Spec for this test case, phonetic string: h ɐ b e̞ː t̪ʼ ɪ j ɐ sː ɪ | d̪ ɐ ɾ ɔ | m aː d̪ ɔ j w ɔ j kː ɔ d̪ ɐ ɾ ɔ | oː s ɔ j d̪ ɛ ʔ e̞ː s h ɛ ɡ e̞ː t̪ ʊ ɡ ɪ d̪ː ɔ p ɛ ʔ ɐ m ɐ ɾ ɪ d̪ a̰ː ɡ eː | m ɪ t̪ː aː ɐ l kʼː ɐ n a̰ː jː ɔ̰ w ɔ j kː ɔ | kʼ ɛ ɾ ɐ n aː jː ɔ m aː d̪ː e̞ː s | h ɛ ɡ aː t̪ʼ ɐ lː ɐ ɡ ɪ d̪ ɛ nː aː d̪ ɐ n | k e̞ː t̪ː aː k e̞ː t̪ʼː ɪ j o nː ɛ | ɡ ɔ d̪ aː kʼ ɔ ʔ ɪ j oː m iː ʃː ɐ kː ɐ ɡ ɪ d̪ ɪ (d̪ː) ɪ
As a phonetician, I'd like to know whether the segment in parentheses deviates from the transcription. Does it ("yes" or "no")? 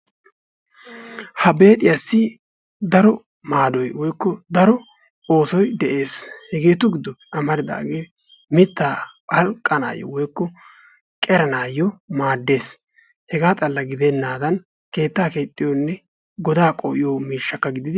yes